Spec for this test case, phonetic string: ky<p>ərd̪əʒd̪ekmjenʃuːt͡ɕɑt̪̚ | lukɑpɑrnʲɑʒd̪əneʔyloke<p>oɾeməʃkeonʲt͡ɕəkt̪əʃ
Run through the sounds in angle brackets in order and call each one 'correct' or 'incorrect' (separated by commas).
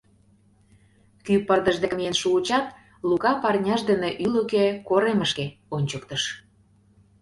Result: correct, incorrect